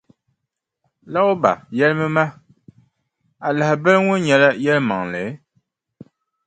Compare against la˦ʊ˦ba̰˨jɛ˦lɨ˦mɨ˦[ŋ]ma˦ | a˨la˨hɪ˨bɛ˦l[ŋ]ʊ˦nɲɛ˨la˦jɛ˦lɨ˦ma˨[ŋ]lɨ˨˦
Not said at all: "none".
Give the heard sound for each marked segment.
none, ŋ, ŋ

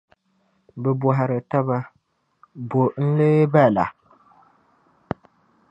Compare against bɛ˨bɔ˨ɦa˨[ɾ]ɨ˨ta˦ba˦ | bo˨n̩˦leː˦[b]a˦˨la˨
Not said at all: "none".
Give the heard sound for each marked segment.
ɾ, b

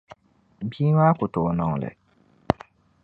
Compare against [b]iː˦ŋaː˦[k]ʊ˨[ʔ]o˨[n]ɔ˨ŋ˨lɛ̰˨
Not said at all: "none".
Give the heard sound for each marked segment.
b, k, t, n

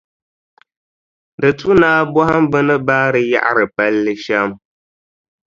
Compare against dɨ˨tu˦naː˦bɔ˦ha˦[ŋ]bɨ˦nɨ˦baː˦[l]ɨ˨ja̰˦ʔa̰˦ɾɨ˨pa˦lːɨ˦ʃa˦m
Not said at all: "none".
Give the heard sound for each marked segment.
m, ɾ

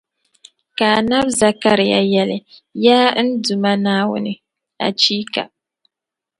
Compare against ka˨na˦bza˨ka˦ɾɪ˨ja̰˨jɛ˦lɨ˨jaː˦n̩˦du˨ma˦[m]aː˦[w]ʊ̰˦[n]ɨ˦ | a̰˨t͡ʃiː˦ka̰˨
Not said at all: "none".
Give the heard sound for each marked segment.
n, w, n

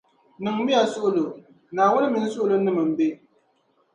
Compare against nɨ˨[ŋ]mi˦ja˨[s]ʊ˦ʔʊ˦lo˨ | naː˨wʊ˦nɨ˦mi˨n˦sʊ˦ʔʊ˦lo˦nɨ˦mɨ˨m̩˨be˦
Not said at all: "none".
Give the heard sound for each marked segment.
ŋ, s

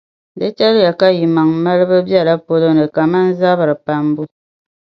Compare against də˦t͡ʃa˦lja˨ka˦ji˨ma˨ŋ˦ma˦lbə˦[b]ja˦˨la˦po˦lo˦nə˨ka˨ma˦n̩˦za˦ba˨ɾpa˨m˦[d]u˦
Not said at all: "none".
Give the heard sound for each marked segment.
b, b

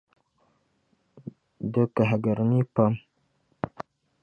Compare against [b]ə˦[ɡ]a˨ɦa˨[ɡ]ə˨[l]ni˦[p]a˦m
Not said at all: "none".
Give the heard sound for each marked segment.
d, k, ɡ, ɾ, p

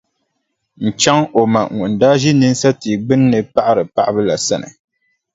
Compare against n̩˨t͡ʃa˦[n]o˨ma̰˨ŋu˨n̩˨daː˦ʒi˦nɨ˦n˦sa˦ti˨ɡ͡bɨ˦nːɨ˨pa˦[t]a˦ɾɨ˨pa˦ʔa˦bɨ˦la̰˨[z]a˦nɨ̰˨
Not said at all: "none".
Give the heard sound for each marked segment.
ŋ, ʔ, s

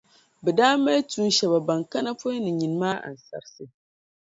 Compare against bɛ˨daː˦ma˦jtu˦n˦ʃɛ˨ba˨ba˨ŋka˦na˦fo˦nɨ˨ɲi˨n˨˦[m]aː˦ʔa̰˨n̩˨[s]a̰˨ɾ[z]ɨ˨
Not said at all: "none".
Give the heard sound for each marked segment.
m, s, s

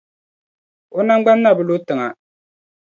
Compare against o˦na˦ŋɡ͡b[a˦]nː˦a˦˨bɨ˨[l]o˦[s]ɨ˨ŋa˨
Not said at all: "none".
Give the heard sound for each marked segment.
a˦, l, t

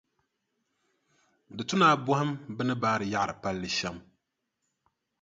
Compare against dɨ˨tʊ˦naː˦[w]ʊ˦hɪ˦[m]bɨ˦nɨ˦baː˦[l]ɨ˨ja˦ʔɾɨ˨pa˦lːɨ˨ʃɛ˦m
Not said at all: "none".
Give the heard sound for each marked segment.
b, m, ɾ

